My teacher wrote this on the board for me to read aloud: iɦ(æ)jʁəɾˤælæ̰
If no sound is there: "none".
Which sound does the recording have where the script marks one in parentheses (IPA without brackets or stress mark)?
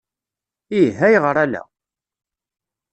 æ